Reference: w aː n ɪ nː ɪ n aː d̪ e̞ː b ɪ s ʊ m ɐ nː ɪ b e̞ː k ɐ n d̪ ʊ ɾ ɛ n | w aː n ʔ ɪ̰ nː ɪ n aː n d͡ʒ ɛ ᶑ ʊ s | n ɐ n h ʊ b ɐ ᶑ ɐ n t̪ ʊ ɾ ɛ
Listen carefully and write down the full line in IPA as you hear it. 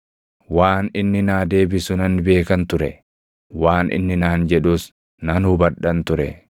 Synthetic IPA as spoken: w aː n ɪ nː ɪ n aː d̪ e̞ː b ɪ s ʊ n ɐ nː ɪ b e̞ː k ɐ n t̪ ʊ ɾ ɛ | w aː n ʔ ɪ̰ nː ɪ n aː n d͡ʒ ɛ ᶑ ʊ s | n ɐ n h ʊ b ɐ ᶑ ɐ n t̪ ʊ ɾ ɛ